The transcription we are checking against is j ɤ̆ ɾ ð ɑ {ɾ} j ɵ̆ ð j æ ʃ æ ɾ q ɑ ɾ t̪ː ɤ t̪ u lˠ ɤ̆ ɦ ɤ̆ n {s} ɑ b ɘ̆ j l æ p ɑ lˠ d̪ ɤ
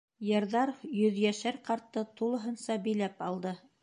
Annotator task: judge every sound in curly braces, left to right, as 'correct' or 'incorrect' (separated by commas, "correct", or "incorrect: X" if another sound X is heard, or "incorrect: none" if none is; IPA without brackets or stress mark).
correct, correct